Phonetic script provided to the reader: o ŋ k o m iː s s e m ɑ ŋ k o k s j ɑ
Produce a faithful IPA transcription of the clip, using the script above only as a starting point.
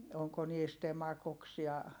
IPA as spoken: o ŋ k o n iː s t e m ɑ k o k s j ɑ